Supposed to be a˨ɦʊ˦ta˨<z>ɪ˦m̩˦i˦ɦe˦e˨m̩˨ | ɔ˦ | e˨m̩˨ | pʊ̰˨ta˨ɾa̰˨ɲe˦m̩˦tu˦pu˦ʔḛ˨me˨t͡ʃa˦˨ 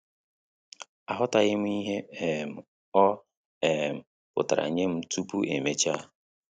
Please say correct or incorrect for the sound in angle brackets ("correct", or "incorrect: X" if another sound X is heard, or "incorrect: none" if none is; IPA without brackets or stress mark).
incorrect: ɣ